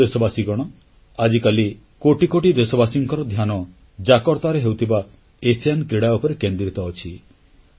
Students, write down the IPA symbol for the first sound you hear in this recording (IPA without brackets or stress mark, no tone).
e